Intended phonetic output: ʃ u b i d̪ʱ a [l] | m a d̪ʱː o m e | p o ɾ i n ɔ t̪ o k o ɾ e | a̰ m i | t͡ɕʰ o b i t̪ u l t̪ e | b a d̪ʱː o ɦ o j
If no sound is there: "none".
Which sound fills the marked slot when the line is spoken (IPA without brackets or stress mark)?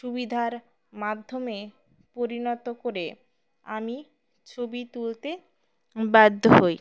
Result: ɾ